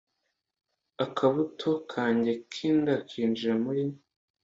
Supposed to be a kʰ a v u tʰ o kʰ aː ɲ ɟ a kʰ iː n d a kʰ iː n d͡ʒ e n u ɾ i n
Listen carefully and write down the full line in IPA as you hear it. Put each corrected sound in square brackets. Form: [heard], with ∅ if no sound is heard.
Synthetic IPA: a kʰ a [β] u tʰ o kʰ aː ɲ ɟ [e] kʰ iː n d a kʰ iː n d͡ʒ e [m] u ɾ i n